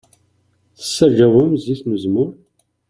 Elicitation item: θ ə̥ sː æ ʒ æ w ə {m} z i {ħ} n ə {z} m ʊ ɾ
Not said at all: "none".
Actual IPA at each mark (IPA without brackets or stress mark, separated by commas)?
m, θ, z